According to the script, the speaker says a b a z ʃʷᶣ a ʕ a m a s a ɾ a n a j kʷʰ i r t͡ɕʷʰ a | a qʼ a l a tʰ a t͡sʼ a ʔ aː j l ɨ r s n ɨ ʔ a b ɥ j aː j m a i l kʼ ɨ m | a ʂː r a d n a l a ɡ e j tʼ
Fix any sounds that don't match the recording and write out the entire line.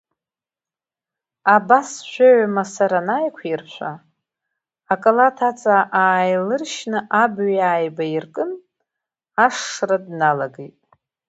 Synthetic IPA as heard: a b a s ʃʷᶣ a ʕ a m a s a ɾ a n a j kʷʰ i r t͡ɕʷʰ a | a kʼ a l a tʰ a t͡sʼ a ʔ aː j l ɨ r ʃ n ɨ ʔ a b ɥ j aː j b a i r kʼ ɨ n | a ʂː r a d n a l a ɡ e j tʼ